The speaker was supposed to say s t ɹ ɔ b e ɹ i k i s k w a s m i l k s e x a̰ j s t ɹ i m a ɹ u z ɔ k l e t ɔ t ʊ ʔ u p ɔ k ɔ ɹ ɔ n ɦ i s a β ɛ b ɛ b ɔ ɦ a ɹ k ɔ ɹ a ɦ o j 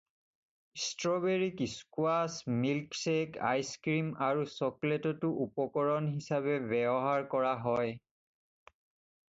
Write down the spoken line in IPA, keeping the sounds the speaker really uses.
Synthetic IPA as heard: s t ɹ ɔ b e ɹ i k i s k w a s m i l k s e k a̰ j s k ɹ i m a ɹ u s ɔ k l e t ɔ t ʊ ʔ u p ɔ k ɔ ɹ ɔ n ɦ i s a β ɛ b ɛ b ɔ ɦ a ɹ k ɔ ɹ a ɦ ɔ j